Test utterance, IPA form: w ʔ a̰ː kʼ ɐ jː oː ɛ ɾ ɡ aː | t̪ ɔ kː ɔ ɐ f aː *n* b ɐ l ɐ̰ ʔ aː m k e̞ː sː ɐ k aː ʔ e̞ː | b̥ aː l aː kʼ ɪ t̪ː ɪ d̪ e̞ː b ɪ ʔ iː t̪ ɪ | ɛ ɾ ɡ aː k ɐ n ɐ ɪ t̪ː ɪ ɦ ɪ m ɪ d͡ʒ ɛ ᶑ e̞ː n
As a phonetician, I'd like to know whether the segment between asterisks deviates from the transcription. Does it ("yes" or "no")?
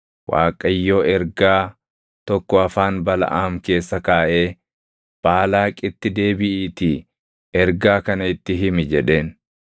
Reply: no